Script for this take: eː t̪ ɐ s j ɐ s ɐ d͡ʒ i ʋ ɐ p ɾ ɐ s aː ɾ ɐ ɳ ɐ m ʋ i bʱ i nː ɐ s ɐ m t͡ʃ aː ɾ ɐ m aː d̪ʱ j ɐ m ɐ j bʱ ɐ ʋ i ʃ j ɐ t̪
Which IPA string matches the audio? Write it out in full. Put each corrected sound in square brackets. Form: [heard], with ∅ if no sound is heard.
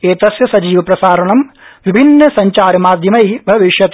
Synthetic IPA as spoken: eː t̪ ɐ s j ɐ s ɐ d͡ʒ [iː] ʋ ɐ p ɾ ɐ s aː ɾ ɐ ɳ ɐ m ʋ i bʱ i nː ɐ s ɐ [ɲ] t͡ʃ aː ɾ ɐ m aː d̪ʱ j ɐ m ɐ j bʱ ɐ ʋ i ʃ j ɐ t̪